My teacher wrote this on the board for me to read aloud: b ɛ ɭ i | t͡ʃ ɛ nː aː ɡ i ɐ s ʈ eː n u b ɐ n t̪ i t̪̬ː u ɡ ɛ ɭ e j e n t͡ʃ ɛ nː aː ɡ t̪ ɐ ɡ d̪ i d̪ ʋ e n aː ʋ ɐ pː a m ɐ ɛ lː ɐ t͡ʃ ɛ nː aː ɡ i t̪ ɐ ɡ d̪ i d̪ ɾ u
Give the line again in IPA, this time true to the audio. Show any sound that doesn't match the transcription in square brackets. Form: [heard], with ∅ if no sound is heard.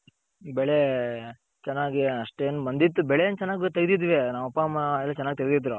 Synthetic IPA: b ɛ ɭ [e] | t͡ʃ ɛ nː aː ɡ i ɐ [ʂ] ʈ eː n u b ɐ n [d̪] i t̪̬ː u [b] ɛ ɭ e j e n t͡ʃ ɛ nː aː ɡ t̪ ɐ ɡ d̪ i d̪ ʋ e n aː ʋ ɐ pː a m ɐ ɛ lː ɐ t͡ʃ ɛ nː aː ɡ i t̪ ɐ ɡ d̪ i d̪ ɾ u